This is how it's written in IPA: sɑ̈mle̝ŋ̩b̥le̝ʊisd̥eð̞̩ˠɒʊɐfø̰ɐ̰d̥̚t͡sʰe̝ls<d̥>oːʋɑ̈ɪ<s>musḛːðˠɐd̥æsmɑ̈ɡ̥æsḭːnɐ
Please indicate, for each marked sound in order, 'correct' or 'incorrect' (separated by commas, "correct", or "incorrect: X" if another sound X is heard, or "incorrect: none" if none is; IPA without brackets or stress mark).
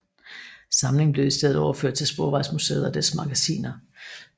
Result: incorrect: b̥, correct